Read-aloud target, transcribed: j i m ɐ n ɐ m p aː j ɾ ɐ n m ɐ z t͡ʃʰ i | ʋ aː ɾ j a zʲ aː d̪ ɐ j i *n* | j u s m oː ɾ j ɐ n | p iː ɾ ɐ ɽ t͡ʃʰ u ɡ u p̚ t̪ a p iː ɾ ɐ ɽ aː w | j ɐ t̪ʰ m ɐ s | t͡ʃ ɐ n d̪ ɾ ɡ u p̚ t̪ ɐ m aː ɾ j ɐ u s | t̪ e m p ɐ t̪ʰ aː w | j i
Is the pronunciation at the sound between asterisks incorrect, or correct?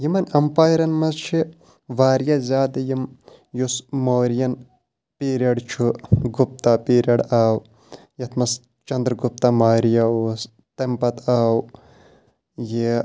incorrect